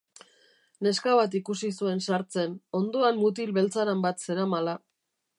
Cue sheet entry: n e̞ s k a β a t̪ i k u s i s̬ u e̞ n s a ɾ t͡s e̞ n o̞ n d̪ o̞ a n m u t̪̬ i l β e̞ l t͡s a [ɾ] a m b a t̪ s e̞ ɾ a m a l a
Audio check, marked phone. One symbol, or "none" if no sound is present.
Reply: ɾ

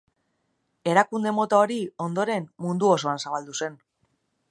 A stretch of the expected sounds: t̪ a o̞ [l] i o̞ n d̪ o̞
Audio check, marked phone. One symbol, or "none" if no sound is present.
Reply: ɾ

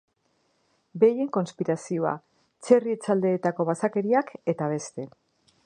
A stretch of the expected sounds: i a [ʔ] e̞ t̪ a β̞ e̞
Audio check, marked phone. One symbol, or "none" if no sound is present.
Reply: k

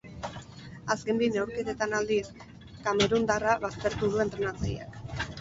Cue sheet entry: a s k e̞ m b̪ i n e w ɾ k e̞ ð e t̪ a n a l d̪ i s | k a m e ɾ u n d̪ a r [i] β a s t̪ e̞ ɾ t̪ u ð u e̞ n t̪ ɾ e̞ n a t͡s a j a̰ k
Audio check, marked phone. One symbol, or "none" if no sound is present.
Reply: a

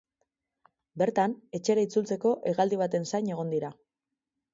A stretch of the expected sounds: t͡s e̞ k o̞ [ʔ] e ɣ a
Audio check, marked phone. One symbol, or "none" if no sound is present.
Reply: ʔ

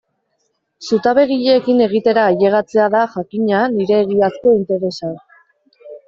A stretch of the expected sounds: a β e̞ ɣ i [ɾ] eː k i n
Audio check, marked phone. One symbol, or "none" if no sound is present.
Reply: ʎ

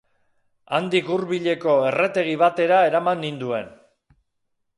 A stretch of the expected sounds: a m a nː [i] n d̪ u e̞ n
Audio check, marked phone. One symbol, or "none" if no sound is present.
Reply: i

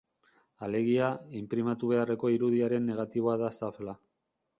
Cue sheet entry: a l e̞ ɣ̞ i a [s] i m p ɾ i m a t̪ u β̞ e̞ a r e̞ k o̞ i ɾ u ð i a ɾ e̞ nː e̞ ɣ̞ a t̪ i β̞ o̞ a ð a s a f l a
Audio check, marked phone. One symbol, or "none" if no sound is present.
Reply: none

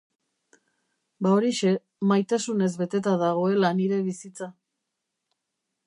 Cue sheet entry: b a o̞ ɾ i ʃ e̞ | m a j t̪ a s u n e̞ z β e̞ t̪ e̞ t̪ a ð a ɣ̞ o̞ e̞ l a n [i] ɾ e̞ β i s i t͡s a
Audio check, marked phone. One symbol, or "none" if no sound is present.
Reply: i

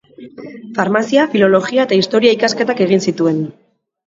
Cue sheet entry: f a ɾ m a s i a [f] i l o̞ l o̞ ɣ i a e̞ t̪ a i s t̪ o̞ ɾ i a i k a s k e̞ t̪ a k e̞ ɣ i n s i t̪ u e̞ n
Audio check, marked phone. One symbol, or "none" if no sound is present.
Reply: f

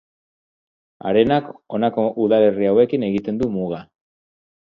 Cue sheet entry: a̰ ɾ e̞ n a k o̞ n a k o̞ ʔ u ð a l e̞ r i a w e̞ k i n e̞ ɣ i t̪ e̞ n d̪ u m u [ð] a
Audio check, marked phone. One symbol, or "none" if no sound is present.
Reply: ɣ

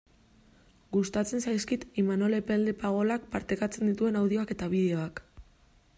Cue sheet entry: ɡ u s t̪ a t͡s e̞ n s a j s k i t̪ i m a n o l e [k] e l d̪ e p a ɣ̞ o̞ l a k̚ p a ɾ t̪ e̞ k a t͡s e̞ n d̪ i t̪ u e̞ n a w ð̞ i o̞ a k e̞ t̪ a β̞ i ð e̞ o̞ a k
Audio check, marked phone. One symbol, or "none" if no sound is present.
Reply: p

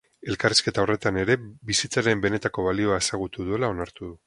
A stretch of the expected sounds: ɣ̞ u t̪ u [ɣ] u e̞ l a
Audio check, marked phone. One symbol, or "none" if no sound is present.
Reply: ð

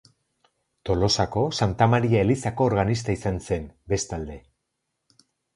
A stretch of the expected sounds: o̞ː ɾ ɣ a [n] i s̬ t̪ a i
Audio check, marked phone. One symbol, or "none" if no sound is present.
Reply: n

